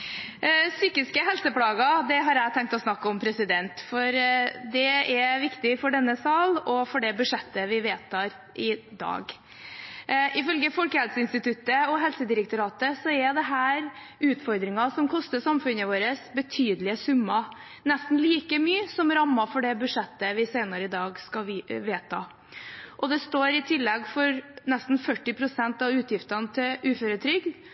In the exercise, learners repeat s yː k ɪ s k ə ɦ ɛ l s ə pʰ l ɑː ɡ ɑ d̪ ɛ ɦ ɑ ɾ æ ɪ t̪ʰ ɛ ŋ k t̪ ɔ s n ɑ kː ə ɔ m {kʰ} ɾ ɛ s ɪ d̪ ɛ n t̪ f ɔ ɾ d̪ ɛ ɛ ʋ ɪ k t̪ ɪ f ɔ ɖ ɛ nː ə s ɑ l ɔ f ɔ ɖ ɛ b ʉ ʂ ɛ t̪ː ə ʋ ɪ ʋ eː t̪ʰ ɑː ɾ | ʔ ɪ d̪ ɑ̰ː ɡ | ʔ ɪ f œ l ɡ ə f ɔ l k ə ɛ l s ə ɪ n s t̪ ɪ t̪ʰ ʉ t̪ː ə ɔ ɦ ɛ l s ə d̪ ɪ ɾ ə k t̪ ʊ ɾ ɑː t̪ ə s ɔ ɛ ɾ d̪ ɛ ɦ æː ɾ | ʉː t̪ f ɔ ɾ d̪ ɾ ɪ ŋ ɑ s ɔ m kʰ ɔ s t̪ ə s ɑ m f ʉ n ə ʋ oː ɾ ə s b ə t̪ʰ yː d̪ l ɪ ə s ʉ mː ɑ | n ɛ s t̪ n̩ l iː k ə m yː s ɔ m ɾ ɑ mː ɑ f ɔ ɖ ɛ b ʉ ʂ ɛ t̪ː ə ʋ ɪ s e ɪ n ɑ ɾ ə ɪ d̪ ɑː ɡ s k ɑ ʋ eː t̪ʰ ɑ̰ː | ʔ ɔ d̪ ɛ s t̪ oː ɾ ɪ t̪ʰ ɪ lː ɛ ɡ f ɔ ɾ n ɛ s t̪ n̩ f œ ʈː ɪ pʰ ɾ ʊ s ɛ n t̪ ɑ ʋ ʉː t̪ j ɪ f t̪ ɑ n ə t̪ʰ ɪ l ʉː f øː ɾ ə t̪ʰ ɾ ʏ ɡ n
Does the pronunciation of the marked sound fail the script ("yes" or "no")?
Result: yes